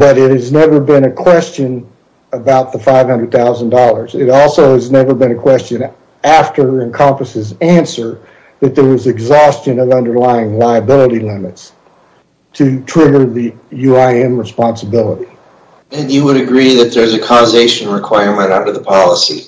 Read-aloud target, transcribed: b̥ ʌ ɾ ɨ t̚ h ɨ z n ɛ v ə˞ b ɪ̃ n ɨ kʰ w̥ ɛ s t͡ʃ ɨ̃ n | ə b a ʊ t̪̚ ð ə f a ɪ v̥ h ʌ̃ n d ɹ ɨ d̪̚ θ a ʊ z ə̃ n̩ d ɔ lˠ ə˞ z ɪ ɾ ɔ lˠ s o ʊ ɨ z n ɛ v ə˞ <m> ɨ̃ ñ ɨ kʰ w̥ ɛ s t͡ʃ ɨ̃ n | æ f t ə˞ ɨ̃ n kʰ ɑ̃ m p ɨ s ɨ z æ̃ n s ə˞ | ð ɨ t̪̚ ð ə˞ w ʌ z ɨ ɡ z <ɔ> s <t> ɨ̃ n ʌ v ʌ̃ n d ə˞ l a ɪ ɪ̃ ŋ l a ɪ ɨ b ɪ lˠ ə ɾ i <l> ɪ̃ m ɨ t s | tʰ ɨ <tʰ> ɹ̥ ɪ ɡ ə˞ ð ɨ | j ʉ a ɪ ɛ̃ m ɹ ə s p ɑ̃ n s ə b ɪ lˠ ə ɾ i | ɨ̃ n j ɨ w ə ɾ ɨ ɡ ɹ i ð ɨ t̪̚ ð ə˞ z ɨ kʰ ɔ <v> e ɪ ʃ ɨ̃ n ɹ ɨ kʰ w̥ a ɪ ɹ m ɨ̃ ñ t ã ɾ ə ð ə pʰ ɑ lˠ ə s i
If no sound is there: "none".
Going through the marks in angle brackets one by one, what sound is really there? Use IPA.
b, ɔ, t͡ʃ, l, tʰ, z

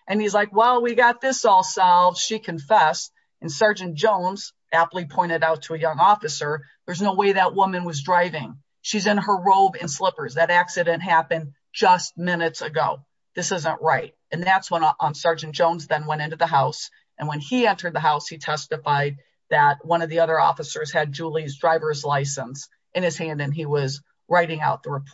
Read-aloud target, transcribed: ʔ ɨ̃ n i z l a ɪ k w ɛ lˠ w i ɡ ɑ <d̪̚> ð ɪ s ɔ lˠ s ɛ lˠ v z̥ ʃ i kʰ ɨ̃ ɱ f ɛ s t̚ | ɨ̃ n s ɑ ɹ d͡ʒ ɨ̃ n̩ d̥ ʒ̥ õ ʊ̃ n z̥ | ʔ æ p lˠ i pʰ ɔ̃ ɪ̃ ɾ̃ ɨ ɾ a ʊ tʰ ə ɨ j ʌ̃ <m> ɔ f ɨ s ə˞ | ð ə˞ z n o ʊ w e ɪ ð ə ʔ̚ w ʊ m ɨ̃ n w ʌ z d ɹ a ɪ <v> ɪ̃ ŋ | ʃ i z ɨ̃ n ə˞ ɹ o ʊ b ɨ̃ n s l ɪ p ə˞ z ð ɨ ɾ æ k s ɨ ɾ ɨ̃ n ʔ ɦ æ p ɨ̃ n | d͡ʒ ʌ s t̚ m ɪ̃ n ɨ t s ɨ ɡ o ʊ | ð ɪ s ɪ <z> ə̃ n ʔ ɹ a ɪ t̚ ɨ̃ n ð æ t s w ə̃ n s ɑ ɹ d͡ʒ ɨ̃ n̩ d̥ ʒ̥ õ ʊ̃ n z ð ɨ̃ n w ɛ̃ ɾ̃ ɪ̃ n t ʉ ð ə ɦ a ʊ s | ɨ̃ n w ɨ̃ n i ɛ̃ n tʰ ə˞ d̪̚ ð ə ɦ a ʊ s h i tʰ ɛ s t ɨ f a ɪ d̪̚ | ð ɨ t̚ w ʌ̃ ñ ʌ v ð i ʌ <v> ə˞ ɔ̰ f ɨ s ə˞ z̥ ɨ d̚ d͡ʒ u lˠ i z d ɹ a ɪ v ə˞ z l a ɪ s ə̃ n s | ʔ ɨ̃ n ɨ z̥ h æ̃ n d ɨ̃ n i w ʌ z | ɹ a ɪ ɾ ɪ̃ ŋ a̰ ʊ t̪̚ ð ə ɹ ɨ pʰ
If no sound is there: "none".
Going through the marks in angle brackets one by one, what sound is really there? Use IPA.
t̪̚, ŋ, v, z, ð

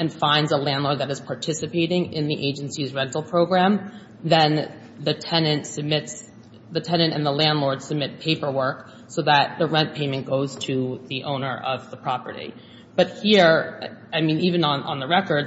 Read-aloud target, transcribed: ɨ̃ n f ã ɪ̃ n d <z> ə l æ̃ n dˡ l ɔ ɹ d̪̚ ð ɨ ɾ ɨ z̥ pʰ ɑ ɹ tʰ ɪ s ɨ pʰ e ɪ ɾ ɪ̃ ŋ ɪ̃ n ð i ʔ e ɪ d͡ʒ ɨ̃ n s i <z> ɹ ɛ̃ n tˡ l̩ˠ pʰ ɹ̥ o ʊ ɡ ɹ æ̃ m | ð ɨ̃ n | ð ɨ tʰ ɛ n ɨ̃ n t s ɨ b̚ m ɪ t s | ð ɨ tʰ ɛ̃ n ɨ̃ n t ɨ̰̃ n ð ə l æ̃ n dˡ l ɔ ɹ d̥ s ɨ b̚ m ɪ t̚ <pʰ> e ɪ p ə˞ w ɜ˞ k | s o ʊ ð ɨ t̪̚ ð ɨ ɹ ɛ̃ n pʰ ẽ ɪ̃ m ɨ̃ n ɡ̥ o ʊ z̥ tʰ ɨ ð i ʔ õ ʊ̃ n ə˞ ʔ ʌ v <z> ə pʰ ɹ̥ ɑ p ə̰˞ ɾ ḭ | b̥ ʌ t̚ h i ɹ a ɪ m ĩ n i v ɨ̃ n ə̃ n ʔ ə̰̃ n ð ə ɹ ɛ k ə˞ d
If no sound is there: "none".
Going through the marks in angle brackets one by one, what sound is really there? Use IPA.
z, z, pʰ, ð

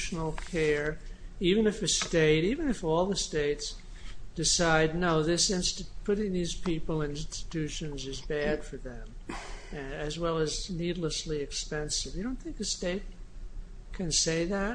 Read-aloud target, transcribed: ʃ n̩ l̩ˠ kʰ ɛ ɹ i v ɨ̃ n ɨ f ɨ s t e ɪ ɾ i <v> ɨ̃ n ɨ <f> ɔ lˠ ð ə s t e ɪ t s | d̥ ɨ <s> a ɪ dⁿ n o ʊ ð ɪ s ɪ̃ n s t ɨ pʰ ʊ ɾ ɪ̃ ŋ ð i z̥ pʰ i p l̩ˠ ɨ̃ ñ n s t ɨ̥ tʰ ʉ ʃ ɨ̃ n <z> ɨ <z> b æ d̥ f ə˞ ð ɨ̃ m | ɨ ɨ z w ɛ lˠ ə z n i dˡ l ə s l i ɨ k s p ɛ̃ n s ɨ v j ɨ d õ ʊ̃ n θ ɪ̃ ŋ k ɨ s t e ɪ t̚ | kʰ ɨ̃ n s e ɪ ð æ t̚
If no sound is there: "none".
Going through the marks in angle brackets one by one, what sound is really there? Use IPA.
v, f, s, z, z

